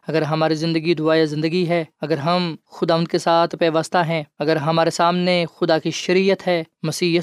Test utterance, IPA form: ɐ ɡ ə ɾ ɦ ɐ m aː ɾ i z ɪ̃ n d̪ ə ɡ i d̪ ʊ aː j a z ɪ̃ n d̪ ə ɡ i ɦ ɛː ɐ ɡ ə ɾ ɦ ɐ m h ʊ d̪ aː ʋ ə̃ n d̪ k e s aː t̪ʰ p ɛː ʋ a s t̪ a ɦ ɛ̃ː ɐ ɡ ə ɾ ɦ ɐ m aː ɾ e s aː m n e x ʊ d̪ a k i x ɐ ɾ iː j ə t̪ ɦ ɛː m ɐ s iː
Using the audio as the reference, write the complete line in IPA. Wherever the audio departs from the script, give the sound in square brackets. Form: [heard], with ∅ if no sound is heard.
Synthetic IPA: ɐ ɡ ə ɾ ɦ ɐ m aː ɾ i z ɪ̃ n d̪ ə ɡ i d̪ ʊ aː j a z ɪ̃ n d̪ ə ɡ i ɦ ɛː ɐ ɡ ə ɾ ɦ ɐ m [x] ʊ d̪ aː ʋ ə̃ n d̪ k e s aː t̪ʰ p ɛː ʋ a s t̪ a ɦ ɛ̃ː ɐ ɡ ə ɾ ɦ ɐ m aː ɾ e s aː m n e x ʊ d̪ a k i [ʃ] ɐ ɾ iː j ə t̪ ɦ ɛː m ɐ s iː